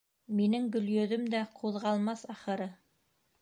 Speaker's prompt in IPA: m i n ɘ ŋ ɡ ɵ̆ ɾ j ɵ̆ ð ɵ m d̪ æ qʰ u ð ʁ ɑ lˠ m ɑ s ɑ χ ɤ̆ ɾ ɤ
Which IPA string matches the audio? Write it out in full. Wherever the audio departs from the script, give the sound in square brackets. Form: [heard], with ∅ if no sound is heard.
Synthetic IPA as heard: m i n ɘ ŋ ɡ ɵ̆ [l] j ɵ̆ ð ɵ m d̪ æ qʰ u ð ʁ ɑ lˠ m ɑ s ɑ χ ɤ̆ ɾ ɤ